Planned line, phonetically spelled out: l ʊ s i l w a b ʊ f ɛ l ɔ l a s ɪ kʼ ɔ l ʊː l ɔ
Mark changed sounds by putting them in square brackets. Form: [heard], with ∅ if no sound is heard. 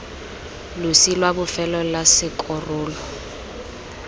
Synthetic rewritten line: l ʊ s i l w a b ʊ f ɛ l ɔ l a s ɪ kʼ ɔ [r] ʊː l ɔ